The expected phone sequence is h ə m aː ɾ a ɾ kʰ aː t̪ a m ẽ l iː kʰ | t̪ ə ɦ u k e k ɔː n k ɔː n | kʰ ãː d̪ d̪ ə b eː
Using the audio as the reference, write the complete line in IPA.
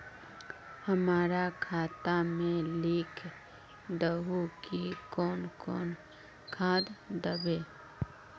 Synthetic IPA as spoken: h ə m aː ɾ a kʰ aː t̪ a m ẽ l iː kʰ | d̪ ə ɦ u k i k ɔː n k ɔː n | kʰ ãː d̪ d̪ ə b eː